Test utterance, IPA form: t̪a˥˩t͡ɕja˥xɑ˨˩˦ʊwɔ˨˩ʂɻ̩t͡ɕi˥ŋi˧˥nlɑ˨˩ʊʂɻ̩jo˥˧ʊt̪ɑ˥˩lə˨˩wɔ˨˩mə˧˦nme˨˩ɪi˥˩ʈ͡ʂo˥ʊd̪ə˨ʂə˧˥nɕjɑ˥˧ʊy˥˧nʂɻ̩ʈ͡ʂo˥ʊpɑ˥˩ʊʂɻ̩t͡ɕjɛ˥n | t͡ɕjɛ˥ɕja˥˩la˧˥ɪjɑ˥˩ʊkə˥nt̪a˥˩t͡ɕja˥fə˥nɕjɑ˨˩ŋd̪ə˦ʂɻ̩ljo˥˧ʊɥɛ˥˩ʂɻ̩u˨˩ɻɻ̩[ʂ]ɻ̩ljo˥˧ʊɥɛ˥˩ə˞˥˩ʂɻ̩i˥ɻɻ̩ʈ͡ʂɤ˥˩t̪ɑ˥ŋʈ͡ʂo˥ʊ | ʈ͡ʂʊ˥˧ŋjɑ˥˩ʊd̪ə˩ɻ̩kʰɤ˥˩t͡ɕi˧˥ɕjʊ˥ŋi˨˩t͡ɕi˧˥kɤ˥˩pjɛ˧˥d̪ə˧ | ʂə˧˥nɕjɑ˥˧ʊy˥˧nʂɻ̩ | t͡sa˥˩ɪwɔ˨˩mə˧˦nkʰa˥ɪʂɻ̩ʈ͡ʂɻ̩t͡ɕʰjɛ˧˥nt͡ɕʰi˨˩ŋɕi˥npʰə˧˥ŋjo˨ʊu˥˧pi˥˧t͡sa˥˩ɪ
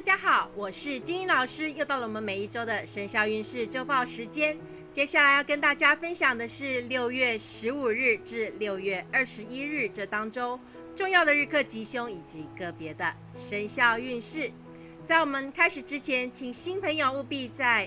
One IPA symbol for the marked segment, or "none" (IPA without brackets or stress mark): ʈ͡ʂ